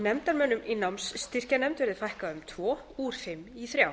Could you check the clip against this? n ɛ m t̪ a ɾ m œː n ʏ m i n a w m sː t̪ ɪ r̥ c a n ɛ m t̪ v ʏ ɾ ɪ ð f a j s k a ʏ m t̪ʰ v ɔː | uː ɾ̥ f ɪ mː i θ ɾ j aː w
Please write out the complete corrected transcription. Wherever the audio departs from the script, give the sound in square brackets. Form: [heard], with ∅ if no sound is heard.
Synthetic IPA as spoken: n ɛ m t̪ a ɾ m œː n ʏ m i n a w m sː t̪ ɪ r̥ c a n ɛ m t̪ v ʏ ɾ ɪ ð f a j [h] k a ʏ m t̪ʰ v ɔː | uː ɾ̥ f ɪ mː i θ ɾ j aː w